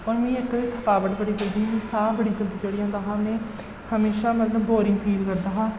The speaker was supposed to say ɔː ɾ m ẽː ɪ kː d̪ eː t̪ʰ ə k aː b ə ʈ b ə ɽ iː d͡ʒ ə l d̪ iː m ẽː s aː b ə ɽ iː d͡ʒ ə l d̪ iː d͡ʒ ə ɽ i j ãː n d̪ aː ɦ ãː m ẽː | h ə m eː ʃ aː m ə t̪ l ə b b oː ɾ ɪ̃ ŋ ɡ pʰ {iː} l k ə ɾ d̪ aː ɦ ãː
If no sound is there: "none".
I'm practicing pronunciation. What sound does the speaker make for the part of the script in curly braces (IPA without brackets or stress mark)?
iː